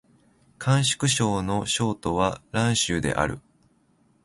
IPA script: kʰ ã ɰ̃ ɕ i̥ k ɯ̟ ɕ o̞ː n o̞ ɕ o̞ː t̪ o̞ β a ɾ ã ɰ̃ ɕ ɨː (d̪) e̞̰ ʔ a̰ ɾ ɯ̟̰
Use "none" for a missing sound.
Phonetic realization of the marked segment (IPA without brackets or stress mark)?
d̪